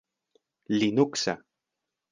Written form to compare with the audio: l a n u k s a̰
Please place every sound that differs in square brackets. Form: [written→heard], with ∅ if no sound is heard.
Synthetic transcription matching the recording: l [a→i] n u k s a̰